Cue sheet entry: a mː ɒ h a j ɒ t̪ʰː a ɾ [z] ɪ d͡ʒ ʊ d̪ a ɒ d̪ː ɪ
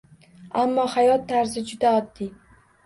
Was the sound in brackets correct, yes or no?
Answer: yes